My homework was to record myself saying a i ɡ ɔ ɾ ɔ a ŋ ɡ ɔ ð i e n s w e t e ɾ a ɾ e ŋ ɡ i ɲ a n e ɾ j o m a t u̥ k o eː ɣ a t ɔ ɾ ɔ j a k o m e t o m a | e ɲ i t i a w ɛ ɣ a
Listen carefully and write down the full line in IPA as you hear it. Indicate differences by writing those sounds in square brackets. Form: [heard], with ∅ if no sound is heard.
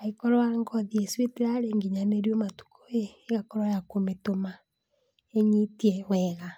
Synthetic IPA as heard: a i [k] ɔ ɾ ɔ a ŋ ɡ ɔ ð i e [∅] s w e t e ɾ a ɾ e ŋ ɡ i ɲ a n e ɾ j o m a t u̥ k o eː ɣ a [k] ɔ ɾ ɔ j a k o m e t o m a | e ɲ i t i [ɛ] w ɛ ɣ a